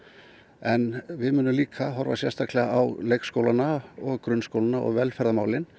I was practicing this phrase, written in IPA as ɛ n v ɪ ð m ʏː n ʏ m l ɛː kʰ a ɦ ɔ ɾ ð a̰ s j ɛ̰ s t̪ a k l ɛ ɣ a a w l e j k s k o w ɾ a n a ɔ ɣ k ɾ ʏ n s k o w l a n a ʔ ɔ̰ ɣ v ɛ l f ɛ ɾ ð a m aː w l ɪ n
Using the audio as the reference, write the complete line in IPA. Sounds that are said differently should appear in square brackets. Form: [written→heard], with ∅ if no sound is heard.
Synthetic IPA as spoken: ɛ n v ɪ ð m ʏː n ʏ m l [ɛː→iː] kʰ a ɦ ɔ ɾ [ð→v] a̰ s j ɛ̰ s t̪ a k l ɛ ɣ a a w l e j k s k o w [ɾ→l] a n a ɔ ɣ k ɾ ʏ n s k o w l a n a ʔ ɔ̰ ɣ v ɛ l f ɛ ɾ ð a m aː w l ɪ n